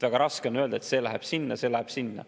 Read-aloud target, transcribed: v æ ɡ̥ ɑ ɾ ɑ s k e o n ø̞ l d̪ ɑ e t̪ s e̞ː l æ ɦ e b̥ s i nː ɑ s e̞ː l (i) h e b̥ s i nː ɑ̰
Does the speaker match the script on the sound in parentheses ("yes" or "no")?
no